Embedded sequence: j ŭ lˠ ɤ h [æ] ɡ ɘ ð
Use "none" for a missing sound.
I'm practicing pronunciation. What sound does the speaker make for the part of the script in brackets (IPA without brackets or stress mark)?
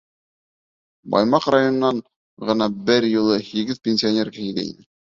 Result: i